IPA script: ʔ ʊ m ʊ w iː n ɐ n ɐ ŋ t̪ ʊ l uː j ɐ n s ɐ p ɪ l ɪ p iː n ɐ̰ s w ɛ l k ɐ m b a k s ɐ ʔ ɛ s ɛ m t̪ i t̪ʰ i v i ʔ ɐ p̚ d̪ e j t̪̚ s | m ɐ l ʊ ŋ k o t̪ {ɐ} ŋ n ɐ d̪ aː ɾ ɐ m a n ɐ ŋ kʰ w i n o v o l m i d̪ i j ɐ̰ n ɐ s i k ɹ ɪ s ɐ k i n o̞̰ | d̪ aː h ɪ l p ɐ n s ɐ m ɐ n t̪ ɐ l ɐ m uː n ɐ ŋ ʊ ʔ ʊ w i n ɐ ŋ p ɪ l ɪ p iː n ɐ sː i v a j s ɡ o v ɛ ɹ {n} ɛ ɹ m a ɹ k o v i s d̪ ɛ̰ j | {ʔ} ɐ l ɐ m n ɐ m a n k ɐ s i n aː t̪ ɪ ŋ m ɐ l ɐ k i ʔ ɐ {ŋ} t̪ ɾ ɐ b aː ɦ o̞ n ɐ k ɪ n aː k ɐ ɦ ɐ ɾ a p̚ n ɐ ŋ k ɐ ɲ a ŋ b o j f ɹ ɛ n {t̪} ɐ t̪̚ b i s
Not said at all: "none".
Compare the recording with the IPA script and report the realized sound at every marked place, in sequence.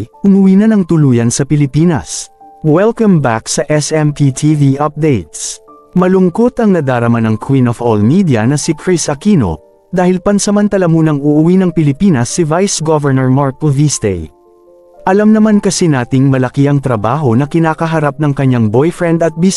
ɐ, n, ʔ, ŋ, d̪

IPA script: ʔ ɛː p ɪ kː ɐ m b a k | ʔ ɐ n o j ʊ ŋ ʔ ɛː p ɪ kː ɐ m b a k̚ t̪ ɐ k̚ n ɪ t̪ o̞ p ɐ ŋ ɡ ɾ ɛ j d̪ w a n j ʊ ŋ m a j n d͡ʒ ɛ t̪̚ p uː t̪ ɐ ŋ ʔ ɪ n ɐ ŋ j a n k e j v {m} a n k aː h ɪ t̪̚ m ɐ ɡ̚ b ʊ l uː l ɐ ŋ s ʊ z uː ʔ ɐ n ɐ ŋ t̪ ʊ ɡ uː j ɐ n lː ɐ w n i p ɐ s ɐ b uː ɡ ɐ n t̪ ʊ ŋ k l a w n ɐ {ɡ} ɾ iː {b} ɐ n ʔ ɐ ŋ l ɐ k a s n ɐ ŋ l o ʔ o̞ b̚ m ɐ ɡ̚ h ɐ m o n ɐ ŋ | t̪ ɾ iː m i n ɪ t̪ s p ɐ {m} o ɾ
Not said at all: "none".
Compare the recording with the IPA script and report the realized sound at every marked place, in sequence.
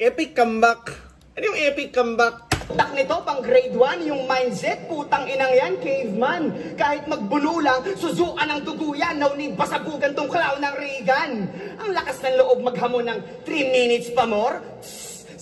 m, ŋ, ɡ, m

